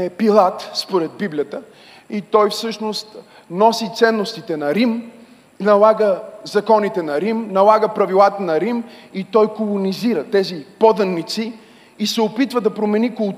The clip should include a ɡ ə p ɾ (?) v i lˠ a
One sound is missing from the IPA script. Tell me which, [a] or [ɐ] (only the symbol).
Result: ɐ